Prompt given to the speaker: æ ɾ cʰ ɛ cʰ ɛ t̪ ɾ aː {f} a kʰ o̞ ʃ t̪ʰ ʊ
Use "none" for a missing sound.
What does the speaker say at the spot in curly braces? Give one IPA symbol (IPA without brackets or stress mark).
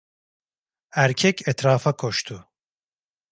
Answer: f